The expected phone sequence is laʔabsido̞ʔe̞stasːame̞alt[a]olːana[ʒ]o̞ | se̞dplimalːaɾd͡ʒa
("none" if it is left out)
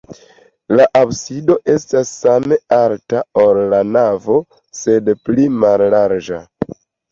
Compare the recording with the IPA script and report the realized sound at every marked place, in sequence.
a, v

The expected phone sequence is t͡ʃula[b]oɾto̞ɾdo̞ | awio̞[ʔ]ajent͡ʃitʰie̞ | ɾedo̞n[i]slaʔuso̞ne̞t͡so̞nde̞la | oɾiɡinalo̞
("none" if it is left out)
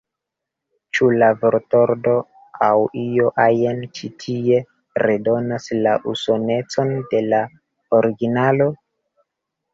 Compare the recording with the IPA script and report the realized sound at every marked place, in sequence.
v, ʔ, a

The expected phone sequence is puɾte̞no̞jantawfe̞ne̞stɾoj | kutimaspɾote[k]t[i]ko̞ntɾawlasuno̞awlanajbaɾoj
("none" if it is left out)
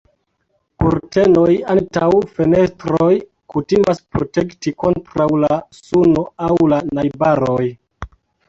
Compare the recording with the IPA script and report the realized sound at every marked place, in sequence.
k, i

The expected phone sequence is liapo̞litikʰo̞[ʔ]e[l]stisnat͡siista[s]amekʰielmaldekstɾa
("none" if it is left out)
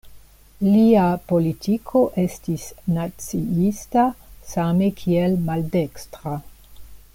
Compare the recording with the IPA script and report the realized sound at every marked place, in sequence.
ʔ, none, s

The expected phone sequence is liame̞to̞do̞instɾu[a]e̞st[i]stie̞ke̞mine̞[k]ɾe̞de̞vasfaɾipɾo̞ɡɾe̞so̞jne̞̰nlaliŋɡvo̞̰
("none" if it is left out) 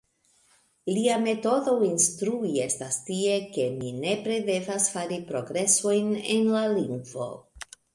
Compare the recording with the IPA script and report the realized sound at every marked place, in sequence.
i, a, p

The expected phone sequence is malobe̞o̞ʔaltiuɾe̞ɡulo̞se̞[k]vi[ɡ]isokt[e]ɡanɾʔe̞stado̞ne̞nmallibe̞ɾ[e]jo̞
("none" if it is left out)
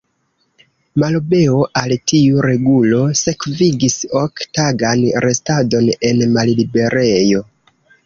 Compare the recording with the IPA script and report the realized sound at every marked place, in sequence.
k, ɡ, a, e

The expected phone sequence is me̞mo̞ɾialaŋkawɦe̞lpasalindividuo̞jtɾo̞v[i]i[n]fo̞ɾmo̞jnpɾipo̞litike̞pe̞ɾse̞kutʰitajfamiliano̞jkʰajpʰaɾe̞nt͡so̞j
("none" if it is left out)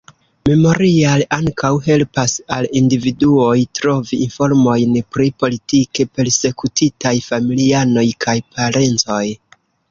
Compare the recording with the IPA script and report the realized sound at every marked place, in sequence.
i, n

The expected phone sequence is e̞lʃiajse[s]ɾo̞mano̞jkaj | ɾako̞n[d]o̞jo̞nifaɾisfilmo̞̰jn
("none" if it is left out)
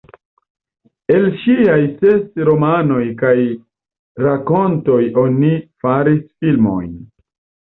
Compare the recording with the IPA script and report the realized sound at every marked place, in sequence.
s, t

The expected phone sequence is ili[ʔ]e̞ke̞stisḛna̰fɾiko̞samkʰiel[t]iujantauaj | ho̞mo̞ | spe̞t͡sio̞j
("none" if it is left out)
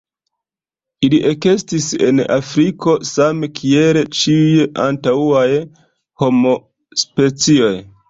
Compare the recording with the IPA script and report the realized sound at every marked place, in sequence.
ʔ, t͡ʃ

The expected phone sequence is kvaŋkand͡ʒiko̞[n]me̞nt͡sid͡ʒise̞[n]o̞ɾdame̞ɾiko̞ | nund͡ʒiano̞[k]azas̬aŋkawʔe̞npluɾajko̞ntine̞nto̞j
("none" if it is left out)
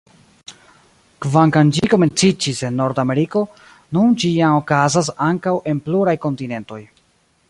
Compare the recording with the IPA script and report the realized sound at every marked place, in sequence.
none, nː, k

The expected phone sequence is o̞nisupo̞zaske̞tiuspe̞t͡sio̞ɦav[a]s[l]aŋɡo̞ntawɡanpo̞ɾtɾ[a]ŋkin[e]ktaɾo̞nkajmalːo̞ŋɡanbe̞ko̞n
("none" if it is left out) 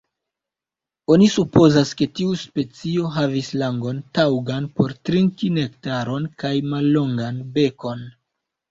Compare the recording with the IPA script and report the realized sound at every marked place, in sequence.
i, l, i, e

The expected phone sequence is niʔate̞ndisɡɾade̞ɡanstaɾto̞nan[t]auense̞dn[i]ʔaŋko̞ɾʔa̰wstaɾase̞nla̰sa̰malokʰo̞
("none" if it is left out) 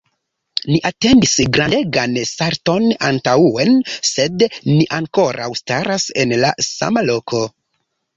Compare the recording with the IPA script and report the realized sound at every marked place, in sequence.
t, i

